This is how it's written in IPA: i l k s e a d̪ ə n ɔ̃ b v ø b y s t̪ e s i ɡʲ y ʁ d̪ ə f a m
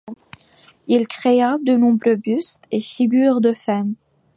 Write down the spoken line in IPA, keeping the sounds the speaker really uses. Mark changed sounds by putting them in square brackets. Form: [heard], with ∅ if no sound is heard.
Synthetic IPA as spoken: i l k [χ] e a d̪ ə n ɔ̃ b [ʁ] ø b y s t̪ e [f] i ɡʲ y ʁ d̪ ə f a m